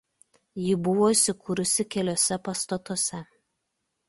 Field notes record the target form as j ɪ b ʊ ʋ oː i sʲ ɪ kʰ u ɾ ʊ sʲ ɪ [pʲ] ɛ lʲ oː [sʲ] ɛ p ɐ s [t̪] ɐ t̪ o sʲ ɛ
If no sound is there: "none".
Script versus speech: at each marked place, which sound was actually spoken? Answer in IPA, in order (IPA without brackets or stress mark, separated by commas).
kʲ, sʲ, t̪